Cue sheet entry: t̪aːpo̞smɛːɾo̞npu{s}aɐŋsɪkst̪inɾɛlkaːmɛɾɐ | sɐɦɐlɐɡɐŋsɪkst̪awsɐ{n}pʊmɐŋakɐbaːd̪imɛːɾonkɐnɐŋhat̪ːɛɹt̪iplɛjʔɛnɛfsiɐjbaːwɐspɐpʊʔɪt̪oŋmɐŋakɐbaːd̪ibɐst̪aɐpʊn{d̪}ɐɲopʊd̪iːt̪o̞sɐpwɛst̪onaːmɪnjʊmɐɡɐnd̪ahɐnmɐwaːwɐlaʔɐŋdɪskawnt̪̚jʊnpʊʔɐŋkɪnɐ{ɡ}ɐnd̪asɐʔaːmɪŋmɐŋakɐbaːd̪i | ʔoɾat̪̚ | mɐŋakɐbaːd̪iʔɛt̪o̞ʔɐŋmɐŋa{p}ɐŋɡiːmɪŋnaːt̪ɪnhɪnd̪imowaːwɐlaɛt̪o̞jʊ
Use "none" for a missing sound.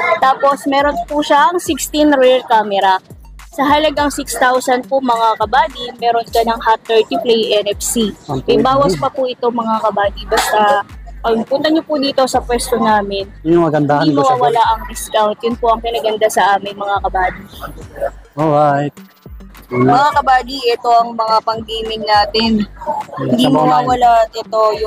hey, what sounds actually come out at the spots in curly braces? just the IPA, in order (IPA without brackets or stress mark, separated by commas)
ʃ, n, t̪, ɡ, p